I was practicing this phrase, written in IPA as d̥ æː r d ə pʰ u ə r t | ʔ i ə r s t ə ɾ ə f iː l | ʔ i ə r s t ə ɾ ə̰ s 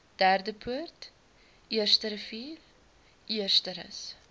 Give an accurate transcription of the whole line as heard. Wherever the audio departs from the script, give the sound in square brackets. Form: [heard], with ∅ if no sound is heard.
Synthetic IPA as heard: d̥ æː r d ə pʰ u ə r t | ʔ i ə r s t ə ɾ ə f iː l | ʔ i ə r s t ə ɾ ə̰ s